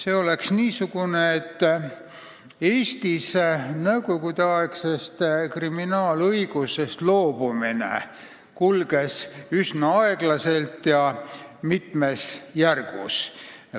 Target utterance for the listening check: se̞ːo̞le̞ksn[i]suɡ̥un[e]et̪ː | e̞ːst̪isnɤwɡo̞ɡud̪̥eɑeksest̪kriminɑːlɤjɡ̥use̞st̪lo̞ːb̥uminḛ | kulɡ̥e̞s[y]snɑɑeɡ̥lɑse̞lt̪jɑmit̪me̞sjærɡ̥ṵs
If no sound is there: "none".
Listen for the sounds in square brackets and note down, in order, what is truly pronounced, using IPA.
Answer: iː, e, y

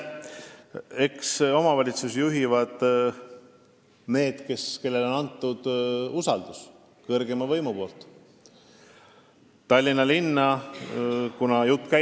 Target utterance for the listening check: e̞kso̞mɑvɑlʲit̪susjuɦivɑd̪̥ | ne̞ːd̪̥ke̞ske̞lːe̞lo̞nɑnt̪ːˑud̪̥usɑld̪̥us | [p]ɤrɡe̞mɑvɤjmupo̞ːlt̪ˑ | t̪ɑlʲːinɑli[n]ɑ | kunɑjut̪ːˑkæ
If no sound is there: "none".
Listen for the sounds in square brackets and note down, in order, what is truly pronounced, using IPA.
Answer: k, nː

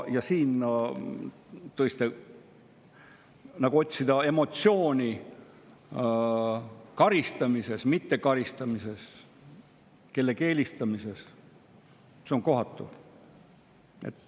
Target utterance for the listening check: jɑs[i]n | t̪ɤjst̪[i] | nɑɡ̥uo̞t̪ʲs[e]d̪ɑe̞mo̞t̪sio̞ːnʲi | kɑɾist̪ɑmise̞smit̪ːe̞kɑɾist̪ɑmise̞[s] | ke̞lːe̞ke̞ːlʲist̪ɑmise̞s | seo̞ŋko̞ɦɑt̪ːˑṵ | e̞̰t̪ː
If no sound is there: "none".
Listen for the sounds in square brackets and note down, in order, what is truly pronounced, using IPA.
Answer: iː, e, i, s

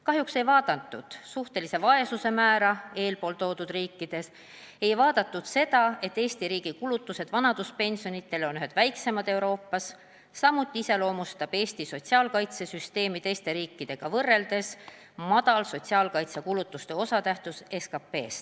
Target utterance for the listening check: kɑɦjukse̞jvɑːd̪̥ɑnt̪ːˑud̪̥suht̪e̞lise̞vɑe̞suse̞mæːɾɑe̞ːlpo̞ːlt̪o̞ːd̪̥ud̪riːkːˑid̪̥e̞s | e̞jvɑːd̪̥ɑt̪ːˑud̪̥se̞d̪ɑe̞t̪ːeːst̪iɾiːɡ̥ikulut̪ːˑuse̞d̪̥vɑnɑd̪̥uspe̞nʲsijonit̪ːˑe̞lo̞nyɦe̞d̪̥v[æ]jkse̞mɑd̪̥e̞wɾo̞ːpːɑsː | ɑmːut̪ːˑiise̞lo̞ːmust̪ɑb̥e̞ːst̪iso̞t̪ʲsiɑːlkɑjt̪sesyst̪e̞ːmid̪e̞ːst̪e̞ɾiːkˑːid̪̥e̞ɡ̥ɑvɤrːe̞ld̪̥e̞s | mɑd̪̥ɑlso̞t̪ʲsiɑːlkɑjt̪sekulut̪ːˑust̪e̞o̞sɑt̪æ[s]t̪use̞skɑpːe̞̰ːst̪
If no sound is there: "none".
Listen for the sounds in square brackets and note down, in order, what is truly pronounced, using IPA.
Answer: æ, h

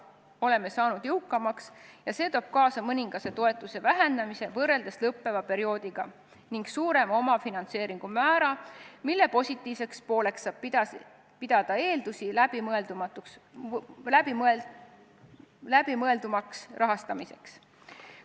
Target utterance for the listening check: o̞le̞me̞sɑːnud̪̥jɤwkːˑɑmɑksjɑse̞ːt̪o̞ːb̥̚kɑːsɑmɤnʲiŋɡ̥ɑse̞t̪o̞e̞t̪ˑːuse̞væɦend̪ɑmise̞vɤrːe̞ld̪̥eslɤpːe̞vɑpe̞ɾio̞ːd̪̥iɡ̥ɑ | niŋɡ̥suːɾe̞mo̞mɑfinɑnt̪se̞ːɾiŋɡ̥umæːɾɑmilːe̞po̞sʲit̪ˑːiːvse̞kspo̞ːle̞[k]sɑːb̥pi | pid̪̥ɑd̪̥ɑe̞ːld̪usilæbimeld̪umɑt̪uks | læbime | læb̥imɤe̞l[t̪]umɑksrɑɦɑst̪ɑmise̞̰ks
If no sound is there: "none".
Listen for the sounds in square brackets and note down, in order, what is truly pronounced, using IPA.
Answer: k, d̪

